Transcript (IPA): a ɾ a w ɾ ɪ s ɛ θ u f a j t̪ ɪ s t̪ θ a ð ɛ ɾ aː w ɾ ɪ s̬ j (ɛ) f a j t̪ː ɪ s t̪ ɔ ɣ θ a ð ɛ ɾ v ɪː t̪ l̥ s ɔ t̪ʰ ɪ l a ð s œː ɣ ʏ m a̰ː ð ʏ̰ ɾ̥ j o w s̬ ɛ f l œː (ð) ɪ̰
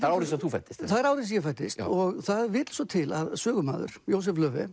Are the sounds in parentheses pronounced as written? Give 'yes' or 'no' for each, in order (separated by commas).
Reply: yes, no